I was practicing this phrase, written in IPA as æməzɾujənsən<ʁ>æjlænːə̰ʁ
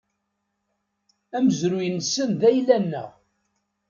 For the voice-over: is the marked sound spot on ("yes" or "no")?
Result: no